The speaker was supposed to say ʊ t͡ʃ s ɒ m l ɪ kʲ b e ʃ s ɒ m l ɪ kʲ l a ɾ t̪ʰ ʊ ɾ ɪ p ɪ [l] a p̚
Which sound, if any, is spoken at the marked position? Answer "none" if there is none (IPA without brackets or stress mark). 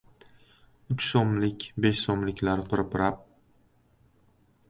ɾ